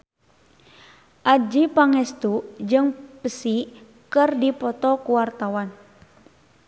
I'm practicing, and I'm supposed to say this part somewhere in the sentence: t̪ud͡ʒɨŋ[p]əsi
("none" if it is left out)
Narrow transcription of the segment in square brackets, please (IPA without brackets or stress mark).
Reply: p